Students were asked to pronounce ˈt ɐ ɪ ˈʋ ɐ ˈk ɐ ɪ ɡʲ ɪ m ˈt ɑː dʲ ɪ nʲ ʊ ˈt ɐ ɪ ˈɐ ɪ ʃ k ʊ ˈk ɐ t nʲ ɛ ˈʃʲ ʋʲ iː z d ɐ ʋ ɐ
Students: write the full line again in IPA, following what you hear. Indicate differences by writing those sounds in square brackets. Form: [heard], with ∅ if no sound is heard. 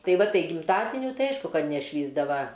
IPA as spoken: ˈt ɐ ɪ ˈʋ ɐ [ˈt] ɐ ɪ ɡʲ ɪ m ˈt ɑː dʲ ɪ nʲ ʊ ˈt ɐ ɪ ˈɐ ɪ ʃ k ʊ ˈk ɐ t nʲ ɛ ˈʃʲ ʋʲ iː z d ɐ ʋ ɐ

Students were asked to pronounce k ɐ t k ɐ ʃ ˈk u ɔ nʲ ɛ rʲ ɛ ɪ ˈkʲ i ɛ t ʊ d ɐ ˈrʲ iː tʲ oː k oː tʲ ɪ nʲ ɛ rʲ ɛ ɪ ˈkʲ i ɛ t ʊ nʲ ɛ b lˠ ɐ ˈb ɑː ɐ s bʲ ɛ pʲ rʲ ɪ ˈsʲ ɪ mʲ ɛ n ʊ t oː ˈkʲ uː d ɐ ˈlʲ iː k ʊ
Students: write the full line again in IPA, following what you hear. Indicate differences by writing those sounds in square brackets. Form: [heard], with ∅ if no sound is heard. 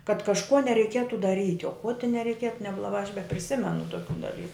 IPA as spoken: k ɐ t k ɐ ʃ ˈk u ɔ nʲ ɛ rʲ ɛ ɪ ˈkʲ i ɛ t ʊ d ɐ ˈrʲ iː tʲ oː k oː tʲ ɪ nʲ ɛ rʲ ɛ ɪ ˈkʲ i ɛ t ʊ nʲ ɛ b lˠ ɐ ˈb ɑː ɐ [ʃ] bʲ ɛ pʲ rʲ ɪ ˈsʲ ɪ mʲ ɛ n ʊ t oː ˈkʲ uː d ɐ ˈlʲ iː k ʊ

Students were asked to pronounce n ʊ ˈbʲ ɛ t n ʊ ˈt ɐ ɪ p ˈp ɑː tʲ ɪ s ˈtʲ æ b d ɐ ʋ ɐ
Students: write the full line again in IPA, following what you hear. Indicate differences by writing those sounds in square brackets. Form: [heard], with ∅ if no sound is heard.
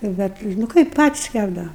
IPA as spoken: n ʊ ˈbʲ ɛ t n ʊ [ˈk] ɐ ɪ p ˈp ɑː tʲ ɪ s [ˈkʲ] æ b d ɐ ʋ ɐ

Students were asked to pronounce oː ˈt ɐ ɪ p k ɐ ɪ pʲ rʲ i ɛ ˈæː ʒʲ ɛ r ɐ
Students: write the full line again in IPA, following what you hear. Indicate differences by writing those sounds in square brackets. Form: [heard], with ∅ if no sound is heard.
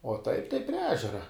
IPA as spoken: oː ˈt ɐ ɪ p [t] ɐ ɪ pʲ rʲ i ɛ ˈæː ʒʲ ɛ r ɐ

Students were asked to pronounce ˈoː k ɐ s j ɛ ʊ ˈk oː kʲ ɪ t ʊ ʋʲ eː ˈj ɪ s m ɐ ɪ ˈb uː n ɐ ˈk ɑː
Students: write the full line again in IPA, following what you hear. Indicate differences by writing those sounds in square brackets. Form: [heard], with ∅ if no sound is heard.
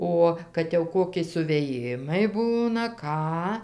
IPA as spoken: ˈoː k ɐ [t] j ɛ ʊ ˈk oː kʲ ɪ [s] ʊ ʋʲ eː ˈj ɪ [∅] m ɐ ɪ ˈb uː n ɐ ˈk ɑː

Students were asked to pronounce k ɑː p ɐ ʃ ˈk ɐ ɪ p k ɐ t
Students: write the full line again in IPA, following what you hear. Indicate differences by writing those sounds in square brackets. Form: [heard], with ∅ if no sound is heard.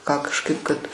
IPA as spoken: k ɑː [k] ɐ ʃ ˈk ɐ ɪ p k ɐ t

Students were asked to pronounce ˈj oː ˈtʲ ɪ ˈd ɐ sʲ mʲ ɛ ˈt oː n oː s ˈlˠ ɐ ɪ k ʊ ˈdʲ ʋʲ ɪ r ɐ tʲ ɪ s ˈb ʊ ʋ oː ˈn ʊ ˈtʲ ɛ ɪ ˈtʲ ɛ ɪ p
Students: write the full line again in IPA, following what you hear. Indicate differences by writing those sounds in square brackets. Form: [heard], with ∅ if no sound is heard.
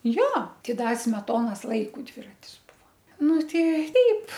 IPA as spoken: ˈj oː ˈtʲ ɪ ˈd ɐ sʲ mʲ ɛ ˈt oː n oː s ˈlˠ ɐ ɪ k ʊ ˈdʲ ʋʲ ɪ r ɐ tʲ ɪ s ˈb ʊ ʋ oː ˈn ʊ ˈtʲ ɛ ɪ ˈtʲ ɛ ɪ p

